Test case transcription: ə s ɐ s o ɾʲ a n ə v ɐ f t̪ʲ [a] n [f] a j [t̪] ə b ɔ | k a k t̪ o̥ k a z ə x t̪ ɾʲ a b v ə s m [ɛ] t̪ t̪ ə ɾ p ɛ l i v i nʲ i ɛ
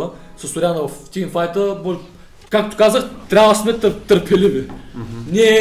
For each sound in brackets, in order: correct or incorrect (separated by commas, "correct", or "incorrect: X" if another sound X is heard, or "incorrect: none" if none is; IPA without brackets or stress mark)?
incorrect: i, correct, correct, correct